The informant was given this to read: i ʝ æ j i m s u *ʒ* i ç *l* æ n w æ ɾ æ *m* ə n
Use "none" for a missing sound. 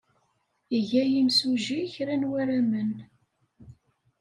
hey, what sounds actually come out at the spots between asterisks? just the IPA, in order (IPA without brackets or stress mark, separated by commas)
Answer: ʒ, ɾ, m